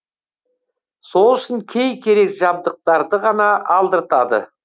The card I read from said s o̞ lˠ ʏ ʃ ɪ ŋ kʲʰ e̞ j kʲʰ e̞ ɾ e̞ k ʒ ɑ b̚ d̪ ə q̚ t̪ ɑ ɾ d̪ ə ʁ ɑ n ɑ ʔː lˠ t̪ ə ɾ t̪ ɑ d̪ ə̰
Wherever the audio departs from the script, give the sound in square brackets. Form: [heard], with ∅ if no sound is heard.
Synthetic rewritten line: s o̞ lˠ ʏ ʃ ɪ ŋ kʲʰ e̞ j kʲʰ e̞ ɾ e̞ k ʒ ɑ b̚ d̪ ə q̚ t̪ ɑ ɾ d̪ ə ʁ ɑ n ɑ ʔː lˠ [d̪] ə ɾ t̪ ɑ d̪ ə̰